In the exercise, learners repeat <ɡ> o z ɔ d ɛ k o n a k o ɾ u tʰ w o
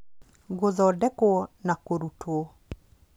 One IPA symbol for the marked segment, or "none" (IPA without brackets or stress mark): ɡ